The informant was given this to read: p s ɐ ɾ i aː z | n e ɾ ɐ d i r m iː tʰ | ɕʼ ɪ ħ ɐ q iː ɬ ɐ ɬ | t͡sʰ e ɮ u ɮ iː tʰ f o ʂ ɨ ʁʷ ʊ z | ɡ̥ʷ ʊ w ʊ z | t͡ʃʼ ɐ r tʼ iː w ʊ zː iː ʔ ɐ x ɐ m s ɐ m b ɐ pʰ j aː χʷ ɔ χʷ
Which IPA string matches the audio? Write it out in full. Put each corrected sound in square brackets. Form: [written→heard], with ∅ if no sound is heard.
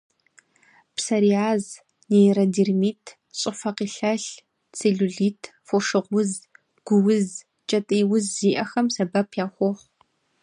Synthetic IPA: p s ɐ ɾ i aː z | n e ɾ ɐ d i r m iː tʰ | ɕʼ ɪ [ħ→f] ɐ q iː ɬ ɐ ɬ | t͡sʰ e ɮ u ɮ iː tʰ f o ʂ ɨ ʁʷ ʊ z | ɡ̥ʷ ʊ w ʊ z | t͡ʃʼ ɐ [r→∅] tʼ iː w ʊ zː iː ʔ ɐ x ɐ m s ɐ [m→∅] b ɐ pʰ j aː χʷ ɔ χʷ